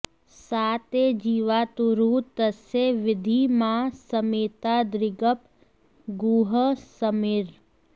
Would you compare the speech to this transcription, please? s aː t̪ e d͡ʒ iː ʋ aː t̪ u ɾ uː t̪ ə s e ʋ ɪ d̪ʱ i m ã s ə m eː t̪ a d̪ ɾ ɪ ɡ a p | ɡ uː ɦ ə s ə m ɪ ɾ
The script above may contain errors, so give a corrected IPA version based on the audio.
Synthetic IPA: s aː t̪ e d͡ʒ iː ʋ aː t̪ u ɾ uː t̪ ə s e ʋ ɪ d̪ʱ i m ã s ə m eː t̪ a d̪ ɾ ɪ ɡ ə p | ɡ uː ɦ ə s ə m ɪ ɾ